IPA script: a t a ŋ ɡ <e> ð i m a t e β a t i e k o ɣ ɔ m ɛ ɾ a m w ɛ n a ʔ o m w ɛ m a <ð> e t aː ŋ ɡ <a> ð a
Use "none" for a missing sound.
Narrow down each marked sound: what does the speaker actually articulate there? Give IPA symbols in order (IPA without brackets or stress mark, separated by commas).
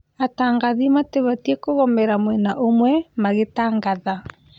a, ɣ, a